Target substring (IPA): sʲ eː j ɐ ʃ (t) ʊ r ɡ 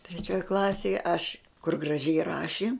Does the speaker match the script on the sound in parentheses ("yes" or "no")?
no